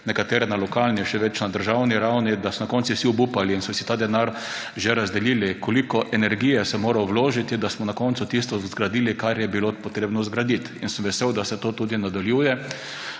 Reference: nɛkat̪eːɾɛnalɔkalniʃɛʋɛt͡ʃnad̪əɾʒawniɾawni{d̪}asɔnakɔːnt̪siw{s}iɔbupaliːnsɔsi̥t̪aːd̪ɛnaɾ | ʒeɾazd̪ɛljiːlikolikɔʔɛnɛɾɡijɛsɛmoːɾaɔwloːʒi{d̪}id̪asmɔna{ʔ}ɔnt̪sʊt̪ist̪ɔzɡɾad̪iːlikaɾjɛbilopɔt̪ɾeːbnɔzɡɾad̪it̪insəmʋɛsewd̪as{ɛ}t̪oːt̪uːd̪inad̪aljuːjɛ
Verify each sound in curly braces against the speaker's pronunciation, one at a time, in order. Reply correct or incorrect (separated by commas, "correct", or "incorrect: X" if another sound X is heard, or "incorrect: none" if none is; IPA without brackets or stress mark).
correct, correct, incorrect: t̪, incorrect: k, correct